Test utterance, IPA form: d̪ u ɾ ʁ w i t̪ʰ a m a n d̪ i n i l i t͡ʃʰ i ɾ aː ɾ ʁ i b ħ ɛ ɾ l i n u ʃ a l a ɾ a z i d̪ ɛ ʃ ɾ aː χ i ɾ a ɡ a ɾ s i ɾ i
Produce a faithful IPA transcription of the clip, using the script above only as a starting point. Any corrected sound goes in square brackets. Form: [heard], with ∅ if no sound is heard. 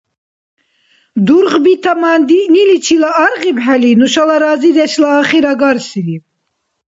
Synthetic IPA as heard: d̪ u ɾ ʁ [b] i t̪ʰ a m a n d̪ i n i l i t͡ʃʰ i [l] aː ɾ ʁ i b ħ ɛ [∅] l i n u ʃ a l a ɾ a z i d̪ ɛ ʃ [l] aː χ i ɾ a ɡ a ɾ s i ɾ i